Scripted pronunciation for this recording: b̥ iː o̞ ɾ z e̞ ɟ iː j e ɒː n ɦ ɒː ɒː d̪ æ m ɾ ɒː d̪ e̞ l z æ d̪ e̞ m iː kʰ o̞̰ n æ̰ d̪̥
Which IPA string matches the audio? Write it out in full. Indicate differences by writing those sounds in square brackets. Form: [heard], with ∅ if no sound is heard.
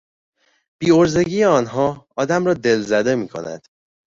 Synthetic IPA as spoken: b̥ iː o̞ ɾ z e̞ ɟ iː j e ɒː n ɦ ɒː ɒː d̪ æ m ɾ ɒː d̪ e̞ l z æ d̪ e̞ m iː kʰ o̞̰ n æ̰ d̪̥